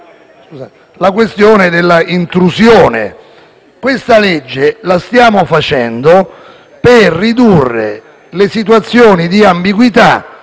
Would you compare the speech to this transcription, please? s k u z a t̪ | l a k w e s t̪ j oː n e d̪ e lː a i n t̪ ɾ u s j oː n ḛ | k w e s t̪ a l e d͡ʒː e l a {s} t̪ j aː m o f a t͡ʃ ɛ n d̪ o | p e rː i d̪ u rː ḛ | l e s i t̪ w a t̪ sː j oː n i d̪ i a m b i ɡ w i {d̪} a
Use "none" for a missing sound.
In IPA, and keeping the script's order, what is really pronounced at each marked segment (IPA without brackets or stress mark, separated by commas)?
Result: s, t̪